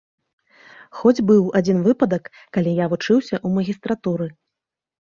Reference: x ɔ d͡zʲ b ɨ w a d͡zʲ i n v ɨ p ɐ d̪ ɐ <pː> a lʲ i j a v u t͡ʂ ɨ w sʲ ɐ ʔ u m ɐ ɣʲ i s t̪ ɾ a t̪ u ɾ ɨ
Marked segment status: incorrect: kː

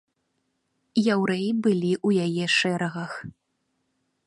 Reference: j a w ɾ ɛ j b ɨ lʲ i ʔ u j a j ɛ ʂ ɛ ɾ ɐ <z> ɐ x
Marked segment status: incorrect: ɣ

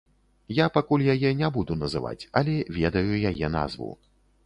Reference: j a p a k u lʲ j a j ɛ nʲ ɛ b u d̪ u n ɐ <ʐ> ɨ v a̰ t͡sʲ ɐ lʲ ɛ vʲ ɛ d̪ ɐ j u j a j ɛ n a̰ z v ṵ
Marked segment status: incorrect: z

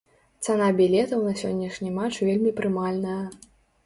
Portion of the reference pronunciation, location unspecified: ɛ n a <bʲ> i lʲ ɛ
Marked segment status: correct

